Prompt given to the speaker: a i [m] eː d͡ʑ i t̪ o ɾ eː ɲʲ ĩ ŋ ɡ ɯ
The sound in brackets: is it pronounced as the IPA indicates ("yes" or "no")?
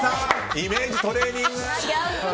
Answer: yes